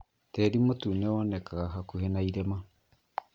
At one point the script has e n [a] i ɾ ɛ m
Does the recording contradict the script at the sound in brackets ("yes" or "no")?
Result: no